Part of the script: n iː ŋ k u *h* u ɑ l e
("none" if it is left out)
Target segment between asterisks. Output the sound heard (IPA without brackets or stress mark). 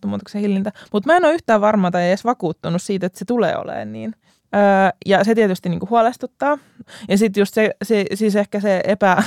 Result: h